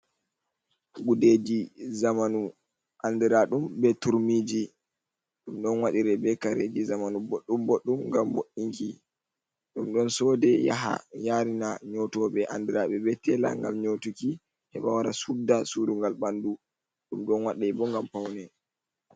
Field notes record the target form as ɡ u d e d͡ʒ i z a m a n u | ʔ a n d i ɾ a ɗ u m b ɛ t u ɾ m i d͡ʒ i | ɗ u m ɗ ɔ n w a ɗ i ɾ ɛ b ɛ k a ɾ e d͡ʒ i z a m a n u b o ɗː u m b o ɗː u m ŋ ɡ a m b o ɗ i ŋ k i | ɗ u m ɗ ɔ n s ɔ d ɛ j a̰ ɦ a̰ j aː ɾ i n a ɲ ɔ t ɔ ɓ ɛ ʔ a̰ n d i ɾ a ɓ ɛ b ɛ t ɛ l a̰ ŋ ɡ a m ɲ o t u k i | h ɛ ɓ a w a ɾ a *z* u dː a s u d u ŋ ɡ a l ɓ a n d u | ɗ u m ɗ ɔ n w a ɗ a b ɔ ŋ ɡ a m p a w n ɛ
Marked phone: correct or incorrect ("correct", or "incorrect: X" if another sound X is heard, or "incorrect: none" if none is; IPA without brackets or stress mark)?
incorrect: s